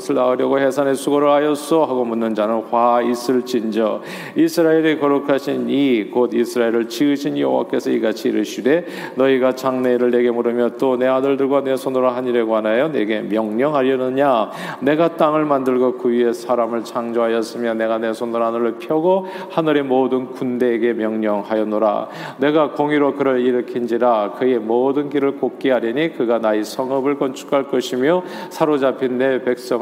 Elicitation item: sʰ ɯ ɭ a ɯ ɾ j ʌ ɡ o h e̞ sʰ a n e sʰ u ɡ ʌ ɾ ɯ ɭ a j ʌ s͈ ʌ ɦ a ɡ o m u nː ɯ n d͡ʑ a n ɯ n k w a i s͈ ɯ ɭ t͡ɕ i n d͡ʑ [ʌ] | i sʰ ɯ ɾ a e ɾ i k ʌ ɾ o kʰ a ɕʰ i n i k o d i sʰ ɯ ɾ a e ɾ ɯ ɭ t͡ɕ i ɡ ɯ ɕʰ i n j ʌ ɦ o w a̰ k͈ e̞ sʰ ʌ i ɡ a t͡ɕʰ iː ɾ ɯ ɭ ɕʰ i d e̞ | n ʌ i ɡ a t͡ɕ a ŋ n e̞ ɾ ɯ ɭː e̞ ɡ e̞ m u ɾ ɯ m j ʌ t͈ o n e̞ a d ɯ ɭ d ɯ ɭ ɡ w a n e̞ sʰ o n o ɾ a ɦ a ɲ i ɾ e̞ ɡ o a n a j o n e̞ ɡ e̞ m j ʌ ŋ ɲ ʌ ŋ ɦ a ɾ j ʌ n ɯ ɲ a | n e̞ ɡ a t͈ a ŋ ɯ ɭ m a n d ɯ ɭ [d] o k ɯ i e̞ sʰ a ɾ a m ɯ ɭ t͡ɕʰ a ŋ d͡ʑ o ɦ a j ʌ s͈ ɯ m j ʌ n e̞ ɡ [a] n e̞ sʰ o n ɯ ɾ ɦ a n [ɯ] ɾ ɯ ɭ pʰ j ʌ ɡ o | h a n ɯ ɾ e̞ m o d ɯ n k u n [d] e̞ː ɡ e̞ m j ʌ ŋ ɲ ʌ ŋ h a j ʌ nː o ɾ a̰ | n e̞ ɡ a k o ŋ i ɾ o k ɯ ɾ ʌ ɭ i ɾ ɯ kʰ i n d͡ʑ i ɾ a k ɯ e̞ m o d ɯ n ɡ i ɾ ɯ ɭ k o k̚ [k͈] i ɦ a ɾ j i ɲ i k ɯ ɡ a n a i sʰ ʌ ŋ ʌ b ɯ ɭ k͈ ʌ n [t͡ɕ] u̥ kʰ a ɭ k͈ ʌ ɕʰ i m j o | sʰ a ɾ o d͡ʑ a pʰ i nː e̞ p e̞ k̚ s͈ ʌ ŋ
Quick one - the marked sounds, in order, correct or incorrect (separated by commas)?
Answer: correct, incorrect, correct, correct, correct, correct, incorrect